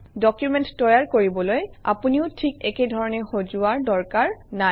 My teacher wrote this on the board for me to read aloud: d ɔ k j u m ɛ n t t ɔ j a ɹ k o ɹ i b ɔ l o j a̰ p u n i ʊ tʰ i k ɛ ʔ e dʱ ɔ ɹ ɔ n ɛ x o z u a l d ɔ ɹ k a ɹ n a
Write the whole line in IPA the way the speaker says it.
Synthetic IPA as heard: d ɔ k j u m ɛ n t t ɔ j a ɹ k o ɹ i b ɔ l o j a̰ p u n i ʊ tʰ i k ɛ k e dʱ ɔ ɹ ɔ n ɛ x o z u a ɹ d ɔ ɹ k a ɹ n a